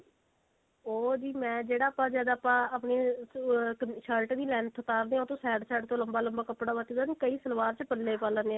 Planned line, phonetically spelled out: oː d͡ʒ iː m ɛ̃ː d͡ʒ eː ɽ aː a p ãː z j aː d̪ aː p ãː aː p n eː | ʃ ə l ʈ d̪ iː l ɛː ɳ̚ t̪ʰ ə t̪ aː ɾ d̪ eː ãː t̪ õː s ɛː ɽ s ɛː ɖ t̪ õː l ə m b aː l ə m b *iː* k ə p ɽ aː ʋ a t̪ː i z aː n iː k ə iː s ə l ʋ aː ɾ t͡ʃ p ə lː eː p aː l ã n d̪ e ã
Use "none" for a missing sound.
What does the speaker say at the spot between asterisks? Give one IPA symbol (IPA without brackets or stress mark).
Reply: aː